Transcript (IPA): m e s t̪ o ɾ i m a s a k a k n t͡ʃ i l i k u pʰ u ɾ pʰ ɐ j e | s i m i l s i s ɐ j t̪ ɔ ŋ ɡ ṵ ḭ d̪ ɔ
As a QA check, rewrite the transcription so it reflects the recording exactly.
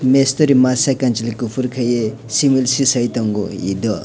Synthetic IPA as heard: m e s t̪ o ɾ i m a s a k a n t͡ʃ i l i k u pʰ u ɾ kʰ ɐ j e | s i m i l s i s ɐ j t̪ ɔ ŋ ɡ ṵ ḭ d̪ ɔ

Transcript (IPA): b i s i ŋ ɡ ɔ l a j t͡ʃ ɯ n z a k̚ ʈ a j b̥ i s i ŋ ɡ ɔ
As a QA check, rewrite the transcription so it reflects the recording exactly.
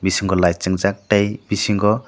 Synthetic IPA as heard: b i s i ŋ ɡ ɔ l a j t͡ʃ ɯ ŋ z a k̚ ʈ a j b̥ i s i ŋ ɡ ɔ

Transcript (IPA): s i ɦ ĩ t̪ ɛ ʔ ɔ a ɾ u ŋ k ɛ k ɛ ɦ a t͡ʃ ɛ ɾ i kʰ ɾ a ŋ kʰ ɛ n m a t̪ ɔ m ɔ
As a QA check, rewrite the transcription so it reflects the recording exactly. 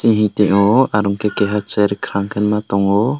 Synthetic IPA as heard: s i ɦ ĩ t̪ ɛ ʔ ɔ a ɾ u ŋ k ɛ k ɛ ɦ a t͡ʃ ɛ ɾ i kʰ ɾ a ŋ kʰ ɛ n m a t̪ ɔ ŋ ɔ

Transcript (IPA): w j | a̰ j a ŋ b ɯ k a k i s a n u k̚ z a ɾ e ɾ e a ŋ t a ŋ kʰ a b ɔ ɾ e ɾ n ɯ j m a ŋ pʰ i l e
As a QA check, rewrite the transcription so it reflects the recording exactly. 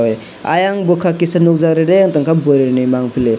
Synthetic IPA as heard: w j | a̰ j a ŋ b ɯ kʰ a k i s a n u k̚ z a ɾ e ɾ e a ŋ t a ŋ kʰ a b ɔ ɾ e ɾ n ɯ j m a ŋ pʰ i l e

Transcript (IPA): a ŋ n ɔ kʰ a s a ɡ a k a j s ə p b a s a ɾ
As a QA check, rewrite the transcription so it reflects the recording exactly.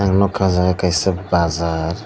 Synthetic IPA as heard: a ŋ n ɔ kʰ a z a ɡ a k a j s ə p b a z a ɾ

